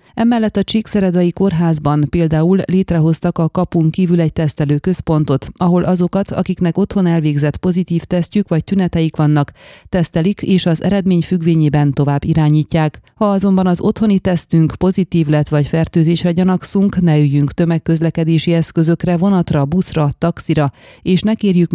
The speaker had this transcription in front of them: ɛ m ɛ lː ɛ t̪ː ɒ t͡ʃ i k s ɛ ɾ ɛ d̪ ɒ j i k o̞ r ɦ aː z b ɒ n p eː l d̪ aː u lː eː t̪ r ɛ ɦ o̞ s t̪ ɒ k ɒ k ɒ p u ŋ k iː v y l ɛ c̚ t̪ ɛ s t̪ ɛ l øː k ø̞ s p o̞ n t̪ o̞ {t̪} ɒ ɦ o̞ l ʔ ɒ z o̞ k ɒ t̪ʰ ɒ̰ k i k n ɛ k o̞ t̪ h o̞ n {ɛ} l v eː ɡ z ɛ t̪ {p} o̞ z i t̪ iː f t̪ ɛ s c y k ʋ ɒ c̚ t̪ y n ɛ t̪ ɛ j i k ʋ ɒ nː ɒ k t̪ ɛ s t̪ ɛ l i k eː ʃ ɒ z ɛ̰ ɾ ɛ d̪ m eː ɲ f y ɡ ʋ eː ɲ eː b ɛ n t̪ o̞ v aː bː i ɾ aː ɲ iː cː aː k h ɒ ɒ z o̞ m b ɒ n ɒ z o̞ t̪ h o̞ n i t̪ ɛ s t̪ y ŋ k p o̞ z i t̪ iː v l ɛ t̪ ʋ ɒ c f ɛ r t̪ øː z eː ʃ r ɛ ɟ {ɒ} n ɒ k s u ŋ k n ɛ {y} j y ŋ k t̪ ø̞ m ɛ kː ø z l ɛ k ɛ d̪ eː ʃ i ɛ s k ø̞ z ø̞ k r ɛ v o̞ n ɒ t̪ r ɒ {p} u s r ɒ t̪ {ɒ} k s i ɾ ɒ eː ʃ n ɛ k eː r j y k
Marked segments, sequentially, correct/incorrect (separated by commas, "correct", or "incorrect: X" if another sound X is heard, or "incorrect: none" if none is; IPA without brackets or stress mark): correct, correct, correct, correct, correct, incorrect: b, correct